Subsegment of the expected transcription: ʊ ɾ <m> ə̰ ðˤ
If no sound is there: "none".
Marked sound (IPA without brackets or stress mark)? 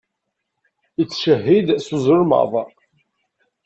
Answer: m